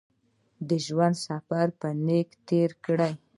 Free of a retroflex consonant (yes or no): no